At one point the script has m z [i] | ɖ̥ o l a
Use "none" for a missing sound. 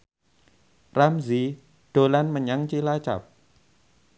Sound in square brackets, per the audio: i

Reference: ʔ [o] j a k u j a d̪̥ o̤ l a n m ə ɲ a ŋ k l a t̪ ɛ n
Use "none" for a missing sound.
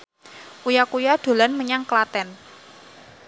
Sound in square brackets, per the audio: u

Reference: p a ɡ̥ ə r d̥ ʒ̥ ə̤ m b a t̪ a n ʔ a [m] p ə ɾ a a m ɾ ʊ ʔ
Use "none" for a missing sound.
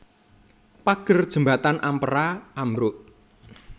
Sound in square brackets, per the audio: m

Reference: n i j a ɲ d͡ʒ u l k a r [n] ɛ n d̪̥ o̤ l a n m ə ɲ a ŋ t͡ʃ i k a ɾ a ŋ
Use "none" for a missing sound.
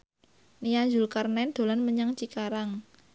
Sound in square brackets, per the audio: n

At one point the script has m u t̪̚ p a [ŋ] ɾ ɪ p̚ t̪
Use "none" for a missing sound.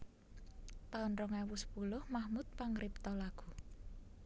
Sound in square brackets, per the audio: ŋ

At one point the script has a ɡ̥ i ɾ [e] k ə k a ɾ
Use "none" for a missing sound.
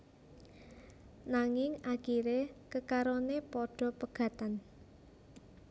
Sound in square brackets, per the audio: e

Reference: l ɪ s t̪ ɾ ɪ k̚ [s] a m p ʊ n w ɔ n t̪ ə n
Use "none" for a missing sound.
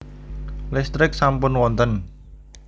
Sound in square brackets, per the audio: s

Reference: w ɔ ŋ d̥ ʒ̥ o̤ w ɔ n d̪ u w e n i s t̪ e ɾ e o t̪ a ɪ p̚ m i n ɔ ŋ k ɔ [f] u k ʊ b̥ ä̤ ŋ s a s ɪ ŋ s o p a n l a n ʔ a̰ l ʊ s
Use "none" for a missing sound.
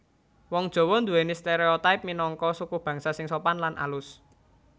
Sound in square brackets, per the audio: s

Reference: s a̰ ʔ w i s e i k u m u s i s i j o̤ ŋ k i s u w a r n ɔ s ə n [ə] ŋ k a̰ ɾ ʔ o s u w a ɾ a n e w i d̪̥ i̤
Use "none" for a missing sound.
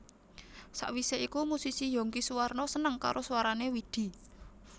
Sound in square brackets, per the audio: ə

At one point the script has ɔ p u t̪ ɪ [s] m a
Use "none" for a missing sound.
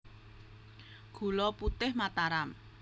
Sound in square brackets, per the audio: h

